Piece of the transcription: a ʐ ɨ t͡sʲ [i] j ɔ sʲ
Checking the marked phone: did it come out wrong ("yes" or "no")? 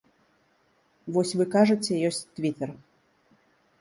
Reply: yes